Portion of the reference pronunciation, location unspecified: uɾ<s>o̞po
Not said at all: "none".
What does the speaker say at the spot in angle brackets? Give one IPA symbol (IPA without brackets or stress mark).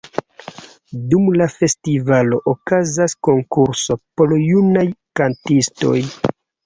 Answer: s